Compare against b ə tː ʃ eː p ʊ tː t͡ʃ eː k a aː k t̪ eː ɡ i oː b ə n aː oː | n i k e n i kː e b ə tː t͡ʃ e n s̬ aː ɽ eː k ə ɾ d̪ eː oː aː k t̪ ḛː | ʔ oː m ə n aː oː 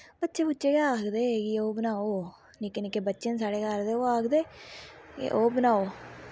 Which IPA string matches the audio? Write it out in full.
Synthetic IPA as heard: b ə tː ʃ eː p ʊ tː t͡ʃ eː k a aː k d̪ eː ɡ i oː b ə n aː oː | n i k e n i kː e b ə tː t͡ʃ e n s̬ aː ɽ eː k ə ɾ d̪ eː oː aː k d̪ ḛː | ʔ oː b ə n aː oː